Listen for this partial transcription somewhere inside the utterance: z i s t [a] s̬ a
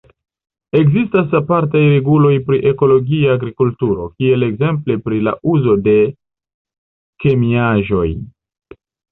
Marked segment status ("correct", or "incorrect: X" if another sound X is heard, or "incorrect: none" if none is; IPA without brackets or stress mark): correct